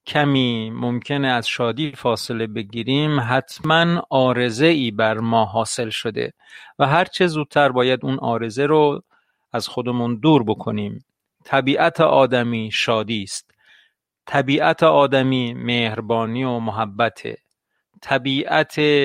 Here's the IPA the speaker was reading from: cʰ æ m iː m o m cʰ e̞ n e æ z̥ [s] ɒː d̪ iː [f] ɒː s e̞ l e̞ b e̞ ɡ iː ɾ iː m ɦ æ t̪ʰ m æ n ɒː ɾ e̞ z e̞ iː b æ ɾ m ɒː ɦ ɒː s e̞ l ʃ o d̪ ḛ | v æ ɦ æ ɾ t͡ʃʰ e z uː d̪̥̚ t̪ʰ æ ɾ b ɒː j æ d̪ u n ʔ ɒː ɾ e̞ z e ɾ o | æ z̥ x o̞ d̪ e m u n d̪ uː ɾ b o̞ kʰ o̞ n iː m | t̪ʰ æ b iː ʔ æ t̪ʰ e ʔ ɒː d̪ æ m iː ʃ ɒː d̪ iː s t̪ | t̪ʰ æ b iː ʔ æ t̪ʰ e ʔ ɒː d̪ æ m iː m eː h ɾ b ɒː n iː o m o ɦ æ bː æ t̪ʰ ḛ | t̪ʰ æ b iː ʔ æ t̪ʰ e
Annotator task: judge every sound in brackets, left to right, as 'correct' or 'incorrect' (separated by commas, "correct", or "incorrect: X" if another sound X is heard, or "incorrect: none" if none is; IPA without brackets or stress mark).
incorrect: ʃ, correct